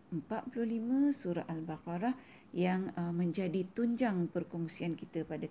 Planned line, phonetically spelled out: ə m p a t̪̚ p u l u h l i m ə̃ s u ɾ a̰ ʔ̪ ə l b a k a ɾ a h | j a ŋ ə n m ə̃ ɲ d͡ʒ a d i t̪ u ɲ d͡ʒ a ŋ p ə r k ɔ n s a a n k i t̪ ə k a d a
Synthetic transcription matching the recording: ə m p a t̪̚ p u l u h l i m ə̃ s u ɾ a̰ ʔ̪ a l b a k a ɾ a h | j a ŋ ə m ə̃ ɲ d͡ʒ a d i t̪ u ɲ d͡ʒ a ŋ p ə r k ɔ ŋ s i a n k i t̪ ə p a d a